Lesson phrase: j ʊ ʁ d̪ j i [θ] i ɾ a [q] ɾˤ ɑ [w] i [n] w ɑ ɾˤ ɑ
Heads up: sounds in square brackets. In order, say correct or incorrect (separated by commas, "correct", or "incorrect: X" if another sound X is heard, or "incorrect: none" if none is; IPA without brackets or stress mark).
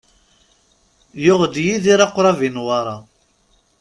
incorrect: ð, correct, incorrect: v, correct